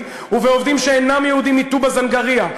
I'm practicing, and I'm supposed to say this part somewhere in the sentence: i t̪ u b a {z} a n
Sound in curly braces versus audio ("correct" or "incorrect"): correct